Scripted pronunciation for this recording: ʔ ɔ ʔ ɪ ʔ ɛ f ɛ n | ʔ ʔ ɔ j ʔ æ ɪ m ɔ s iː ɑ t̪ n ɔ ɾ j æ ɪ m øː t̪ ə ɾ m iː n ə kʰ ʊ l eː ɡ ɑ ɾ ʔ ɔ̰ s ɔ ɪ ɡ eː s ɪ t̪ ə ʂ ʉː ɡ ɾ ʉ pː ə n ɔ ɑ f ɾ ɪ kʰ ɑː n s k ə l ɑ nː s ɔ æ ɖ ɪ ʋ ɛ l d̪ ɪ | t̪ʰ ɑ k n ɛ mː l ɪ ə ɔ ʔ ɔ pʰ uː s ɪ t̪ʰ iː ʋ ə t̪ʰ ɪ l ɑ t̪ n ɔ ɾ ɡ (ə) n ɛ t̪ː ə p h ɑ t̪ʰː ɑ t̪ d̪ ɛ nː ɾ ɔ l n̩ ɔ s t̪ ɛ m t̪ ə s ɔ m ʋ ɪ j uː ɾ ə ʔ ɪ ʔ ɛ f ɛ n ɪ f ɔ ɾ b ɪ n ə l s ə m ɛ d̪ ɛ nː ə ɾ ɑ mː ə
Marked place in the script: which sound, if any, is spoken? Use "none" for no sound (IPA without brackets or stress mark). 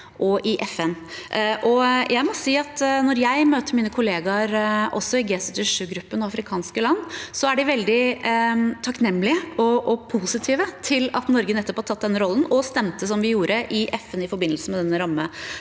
ə